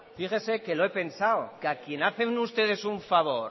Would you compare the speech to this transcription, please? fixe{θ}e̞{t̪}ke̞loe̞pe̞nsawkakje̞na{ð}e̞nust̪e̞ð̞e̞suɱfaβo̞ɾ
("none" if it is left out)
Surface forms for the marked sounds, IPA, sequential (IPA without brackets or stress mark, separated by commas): s, none, θ